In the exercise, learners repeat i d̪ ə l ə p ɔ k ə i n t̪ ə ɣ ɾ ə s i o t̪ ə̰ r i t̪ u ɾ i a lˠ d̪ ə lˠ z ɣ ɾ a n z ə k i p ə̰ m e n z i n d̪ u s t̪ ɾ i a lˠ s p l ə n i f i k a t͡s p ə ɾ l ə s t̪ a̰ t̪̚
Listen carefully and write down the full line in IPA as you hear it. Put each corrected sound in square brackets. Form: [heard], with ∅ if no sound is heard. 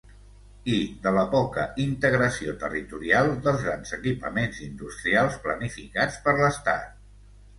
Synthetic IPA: i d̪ ə l ə p ɔ k ə i n t̪ ə ɣ ɾ ə s i o t̪ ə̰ r i t̪ u ɾ i a lˠ d̪ ə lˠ z ɣ ɾ a n z ə k i p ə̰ m e n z i n d̪ u s t̪ ɾ i a lˠ s p l ə n i f i k a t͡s p ə ɾ l ə s t̪ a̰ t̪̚